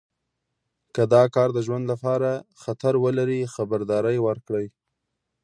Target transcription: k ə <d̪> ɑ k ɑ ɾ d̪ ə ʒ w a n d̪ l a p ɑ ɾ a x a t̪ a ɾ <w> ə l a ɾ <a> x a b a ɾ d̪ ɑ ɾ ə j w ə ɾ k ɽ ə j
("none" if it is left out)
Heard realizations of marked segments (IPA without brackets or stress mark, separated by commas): d̪, w, i